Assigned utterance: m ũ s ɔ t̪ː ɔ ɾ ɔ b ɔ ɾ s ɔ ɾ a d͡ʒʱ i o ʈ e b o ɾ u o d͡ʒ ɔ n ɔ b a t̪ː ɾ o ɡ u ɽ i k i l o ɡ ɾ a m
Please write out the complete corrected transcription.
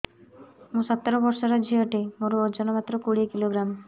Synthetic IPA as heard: m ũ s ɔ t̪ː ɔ ɾ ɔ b ɔ ɾ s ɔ ɾ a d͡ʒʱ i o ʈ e m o ɾ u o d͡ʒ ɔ n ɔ m a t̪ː ɾ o k u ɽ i k i l o ɡ ɾ a m